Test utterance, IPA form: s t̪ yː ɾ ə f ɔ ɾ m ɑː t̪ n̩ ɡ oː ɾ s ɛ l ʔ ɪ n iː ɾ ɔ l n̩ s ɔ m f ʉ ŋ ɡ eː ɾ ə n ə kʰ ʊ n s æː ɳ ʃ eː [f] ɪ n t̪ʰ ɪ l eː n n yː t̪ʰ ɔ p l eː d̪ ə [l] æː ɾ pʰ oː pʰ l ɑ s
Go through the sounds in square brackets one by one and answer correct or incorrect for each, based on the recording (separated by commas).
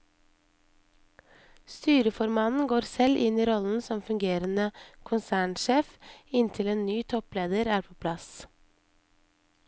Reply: correct, incorrect